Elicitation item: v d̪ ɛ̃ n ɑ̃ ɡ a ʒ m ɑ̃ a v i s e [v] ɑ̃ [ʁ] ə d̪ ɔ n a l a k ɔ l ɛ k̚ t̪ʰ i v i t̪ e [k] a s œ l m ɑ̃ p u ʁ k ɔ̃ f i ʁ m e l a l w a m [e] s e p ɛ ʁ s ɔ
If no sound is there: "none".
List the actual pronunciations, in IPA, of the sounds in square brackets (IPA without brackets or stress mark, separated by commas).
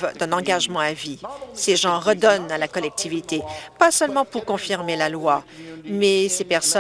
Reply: ʒ, ʁ, p, ɛ